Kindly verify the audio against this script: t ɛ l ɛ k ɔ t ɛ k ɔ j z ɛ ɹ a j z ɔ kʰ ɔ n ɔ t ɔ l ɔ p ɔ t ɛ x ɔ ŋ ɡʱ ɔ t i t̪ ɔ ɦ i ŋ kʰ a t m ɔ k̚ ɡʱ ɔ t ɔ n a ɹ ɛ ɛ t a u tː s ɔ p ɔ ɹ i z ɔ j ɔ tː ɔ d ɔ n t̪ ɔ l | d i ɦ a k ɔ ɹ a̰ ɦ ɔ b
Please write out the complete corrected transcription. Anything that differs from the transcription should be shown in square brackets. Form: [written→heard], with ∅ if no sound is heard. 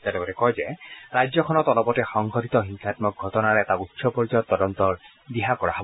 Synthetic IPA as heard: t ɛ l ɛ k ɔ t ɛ k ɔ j z ɛ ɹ a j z ɔ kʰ ɔ n ɔ t ɔ l ɔ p ɔ t ɛ x ɔ ŋ ɡʱ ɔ t i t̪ ɔ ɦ i ŋ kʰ a t m ɔ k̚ ɡʱ ɔ t ɔ n a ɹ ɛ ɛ t a u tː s ɔ p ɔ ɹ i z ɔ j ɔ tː ɔ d ɔ n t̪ ɔ [l→ɹ] | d i ɦ a k ɔ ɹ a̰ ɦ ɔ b